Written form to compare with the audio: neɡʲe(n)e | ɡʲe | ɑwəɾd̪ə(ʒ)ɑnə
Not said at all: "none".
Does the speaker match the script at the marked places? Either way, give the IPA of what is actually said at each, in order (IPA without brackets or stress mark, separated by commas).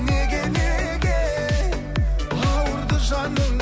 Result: n, ʒ